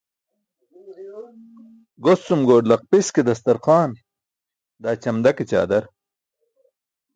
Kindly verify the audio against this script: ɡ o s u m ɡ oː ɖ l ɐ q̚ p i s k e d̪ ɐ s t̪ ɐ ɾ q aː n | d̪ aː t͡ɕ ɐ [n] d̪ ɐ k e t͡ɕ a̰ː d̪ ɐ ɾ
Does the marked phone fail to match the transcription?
yes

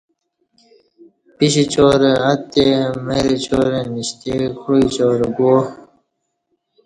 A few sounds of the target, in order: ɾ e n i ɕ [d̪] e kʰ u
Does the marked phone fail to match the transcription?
yes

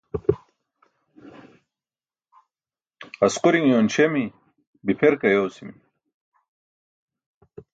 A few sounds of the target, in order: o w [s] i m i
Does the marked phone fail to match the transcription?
no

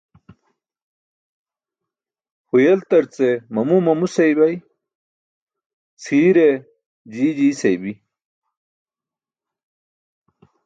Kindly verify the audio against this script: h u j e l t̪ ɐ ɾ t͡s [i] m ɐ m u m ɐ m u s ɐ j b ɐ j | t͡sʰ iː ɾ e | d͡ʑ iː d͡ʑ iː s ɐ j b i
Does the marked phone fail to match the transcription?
yes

